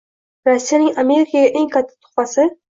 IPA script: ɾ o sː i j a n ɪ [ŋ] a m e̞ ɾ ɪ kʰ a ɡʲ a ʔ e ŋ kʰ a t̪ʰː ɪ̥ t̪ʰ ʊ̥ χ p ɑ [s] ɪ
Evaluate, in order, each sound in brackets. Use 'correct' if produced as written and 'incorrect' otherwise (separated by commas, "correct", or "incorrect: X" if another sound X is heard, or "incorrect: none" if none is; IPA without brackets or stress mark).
correct, correct